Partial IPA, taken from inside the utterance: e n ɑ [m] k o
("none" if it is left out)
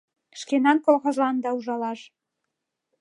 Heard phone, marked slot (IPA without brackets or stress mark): n